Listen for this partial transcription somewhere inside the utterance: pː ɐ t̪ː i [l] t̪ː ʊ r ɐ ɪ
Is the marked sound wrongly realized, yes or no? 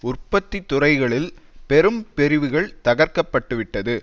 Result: yes